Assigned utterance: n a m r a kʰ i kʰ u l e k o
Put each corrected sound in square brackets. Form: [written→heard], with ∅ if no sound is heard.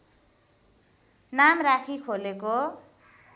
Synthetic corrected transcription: n a m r a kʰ i kʰ [u→o] l e k o